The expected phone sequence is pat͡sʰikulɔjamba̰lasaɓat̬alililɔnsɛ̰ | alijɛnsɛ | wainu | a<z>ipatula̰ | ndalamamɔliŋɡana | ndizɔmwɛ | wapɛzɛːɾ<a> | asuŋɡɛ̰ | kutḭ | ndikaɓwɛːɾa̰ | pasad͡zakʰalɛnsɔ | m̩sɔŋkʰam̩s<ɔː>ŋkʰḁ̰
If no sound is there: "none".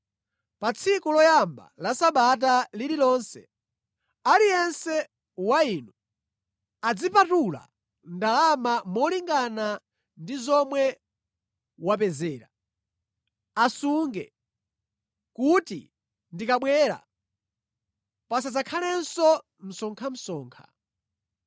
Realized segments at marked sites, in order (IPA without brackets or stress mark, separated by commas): d͡z, a, ɔː